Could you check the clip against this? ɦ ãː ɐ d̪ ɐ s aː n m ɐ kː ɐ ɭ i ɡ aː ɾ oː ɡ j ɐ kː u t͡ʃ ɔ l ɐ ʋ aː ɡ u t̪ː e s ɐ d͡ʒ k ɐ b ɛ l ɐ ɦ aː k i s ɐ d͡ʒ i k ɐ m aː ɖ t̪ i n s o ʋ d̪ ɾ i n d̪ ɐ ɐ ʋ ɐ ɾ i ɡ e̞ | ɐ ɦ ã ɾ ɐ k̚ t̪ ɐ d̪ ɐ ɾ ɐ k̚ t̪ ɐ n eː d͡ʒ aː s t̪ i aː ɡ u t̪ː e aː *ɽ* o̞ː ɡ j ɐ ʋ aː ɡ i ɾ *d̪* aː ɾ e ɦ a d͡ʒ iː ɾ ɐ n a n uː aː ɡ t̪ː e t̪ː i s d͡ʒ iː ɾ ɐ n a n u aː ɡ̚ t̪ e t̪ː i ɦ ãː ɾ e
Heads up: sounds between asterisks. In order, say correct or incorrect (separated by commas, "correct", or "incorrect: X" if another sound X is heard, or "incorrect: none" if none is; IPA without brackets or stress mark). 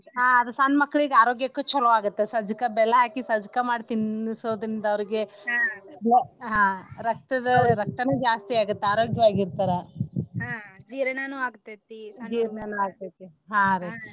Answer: incorrect: ɾ, incorrect: t̪